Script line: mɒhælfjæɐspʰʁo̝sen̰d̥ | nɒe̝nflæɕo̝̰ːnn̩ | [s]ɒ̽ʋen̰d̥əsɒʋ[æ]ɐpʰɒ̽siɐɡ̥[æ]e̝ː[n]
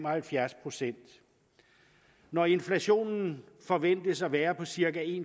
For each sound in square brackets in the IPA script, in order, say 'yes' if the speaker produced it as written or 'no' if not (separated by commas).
no, no, yes, yes